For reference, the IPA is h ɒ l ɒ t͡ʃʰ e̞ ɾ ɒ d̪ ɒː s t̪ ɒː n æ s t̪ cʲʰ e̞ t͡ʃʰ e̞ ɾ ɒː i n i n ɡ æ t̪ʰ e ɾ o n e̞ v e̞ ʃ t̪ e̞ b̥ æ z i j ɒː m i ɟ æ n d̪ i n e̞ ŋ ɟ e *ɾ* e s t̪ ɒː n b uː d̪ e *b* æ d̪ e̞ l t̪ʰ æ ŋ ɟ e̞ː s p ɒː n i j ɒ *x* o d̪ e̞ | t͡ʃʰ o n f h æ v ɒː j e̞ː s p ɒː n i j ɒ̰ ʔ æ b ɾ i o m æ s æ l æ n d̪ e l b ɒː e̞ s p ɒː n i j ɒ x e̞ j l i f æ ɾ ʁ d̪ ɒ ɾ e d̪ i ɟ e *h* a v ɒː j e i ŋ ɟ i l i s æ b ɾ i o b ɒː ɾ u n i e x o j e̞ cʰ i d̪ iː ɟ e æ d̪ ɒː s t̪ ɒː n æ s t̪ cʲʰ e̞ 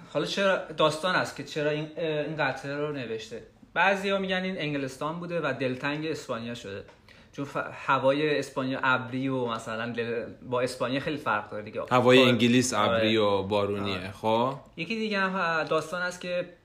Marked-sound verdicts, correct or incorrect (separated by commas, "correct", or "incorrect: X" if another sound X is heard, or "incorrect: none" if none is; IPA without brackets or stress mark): incorrect: l, incorrect: v, incorrect: ʃ, correct